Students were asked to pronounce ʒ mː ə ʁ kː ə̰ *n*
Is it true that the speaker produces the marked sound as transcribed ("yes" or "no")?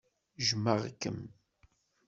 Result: no